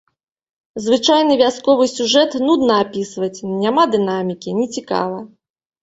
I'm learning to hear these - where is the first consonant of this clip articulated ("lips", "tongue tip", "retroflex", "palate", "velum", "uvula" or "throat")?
tongue tip